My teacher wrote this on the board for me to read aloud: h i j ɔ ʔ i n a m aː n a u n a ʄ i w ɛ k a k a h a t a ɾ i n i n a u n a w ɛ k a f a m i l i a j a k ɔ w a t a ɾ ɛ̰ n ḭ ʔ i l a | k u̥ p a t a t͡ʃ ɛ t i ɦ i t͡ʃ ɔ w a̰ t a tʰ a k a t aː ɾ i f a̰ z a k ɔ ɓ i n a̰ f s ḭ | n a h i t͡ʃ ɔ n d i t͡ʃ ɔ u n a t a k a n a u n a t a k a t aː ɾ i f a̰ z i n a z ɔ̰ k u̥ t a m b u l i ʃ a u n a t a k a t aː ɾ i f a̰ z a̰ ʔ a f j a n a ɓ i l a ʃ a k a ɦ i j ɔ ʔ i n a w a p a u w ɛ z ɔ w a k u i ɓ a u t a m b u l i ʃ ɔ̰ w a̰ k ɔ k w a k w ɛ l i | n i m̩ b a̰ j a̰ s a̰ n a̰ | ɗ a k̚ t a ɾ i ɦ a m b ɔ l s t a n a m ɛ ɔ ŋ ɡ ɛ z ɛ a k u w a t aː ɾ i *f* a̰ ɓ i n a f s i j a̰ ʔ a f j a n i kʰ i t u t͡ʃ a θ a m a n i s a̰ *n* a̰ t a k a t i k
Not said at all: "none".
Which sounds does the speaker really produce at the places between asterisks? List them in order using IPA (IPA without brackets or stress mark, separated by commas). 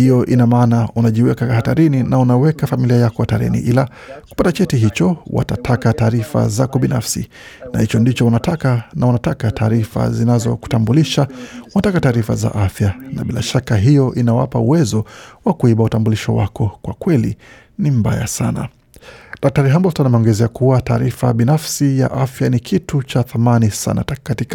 f, n